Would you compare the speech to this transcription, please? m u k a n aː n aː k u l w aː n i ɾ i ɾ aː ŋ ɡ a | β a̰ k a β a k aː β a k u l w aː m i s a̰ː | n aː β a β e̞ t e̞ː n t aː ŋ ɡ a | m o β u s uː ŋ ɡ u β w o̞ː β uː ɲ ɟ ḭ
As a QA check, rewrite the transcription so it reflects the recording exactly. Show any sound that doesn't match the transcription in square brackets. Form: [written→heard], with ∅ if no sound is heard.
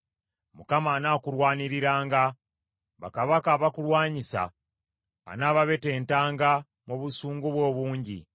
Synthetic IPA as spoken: m u k a [n→m] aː n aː k u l w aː n i ɾ i ɾ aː ŋ ɡ a | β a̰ k a β a k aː β a k u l w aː [m→ɲ] i s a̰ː | n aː β a β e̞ t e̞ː n t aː ŋ ɡ a | m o β u s uː ŋ ɡ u β w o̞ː β uː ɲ ɟ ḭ